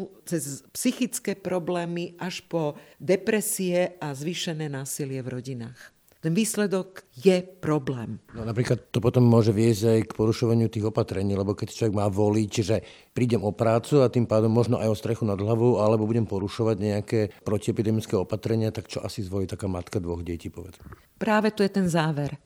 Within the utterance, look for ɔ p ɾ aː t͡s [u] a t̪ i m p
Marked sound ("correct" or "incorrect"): correct